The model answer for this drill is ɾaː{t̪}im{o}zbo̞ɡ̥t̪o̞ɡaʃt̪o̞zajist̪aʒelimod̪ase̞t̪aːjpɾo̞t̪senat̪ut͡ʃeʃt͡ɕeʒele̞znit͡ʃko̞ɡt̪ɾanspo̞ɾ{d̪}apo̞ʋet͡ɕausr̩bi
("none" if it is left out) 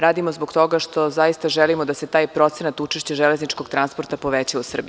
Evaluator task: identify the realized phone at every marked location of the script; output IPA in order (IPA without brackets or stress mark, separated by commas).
d̪, o, t̪